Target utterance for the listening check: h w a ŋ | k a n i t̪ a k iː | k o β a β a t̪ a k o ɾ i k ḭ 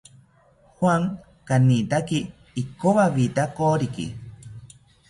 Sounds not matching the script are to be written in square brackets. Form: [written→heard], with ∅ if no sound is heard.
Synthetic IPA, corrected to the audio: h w a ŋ | k a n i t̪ a k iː | k o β a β [a→i] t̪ a k o ɾ i k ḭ